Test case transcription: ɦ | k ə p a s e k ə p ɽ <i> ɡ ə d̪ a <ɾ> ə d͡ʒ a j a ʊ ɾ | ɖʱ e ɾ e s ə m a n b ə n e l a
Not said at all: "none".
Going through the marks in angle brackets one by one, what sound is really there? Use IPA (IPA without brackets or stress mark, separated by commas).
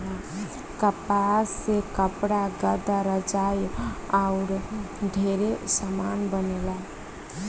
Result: a, ɾ